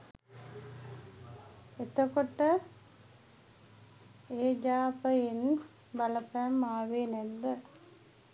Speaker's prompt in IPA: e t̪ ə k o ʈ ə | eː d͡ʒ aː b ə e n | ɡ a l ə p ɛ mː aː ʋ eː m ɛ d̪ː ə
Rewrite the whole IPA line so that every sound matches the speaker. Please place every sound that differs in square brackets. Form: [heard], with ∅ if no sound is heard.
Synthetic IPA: e t̪ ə k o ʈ ə | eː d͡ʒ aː [p] ə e n | [b] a l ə p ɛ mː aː ʋ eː [n] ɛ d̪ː ə